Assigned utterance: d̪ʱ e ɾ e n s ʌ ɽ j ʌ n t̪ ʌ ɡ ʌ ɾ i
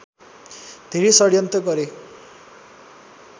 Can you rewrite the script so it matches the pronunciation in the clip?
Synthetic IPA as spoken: d̪ʱ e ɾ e s ʌ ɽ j ʌ n t̪ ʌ ɡ ʌ ɾ e